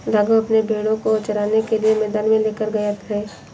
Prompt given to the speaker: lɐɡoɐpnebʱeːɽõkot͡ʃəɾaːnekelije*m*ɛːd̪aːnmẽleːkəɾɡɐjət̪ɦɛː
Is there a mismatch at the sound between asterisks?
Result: no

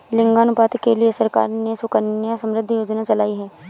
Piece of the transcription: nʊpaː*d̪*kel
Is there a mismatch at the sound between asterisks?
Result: yes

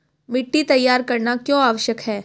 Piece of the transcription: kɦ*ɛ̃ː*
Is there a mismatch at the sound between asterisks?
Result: yes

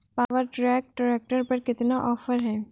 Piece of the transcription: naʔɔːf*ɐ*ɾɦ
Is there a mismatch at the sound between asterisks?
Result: yes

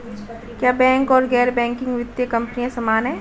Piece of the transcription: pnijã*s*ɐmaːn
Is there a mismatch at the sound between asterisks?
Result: no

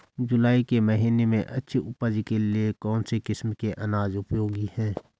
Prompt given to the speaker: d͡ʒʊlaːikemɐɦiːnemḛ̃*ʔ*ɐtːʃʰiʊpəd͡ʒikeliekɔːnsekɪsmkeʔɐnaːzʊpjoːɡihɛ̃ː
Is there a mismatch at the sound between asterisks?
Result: no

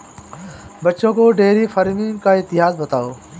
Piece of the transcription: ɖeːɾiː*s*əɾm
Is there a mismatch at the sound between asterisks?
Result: yes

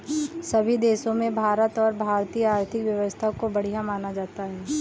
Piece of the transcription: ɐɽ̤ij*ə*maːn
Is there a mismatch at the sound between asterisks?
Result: yes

